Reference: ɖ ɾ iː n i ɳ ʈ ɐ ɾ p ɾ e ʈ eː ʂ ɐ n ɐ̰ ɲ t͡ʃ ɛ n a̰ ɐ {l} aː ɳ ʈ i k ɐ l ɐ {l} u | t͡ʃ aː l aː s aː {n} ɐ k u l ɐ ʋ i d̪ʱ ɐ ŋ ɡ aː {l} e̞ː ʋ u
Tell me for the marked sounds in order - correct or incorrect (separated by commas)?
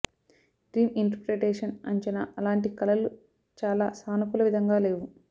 correct, correct, correct, correct